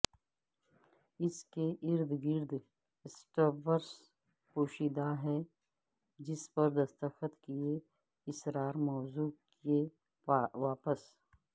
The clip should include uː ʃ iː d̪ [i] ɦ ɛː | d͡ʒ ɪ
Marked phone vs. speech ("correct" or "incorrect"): incorrect